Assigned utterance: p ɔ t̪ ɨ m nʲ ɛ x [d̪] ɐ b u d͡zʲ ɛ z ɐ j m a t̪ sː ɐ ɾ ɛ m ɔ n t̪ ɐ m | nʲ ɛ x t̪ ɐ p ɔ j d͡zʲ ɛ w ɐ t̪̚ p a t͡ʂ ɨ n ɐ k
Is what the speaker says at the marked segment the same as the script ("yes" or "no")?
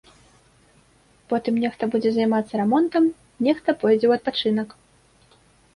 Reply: no